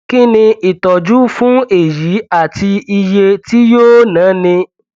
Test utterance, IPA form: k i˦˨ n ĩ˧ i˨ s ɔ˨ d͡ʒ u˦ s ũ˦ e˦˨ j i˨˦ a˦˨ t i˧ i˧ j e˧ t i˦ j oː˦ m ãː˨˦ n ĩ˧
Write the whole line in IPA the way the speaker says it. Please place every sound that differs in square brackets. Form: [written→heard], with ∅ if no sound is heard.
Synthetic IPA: k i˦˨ n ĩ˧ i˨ [s→t] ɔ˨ d͡ʒ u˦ [s→f] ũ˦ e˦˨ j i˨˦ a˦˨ t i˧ i˧ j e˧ t i˦ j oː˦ [m→n] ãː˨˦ n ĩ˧